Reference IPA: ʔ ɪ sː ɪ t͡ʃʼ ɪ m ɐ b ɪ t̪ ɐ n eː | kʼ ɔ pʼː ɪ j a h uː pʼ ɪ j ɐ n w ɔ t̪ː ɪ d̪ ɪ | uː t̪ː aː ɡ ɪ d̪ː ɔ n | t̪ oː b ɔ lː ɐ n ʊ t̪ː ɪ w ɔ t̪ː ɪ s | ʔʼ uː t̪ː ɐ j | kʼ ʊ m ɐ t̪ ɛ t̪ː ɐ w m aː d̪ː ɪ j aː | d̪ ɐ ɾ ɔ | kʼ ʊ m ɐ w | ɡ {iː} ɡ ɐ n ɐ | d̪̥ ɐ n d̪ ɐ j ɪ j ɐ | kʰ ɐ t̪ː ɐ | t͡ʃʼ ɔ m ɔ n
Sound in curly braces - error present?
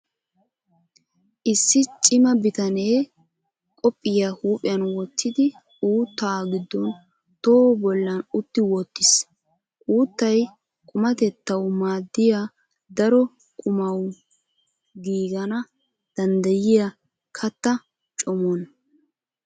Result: no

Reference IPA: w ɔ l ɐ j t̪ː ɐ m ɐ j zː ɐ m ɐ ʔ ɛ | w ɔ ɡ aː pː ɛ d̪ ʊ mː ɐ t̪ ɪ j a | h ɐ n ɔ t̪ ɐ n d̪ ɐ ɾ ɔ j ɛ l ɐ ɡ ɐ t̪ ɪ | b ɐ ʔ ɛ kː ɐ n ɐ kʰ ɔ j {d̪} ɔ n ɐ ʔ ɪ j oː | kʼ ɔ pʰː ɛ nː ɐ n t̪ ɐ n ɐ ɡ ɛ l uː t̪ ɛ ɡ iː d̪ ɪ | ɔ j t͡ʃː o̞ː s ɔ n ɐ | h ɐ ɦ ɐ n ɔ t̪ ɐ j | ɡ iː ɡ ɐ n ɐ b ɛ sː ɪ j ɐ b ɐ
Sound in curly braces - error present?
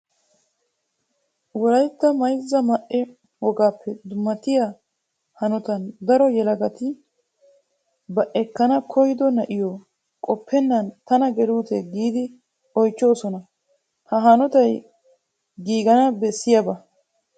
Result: no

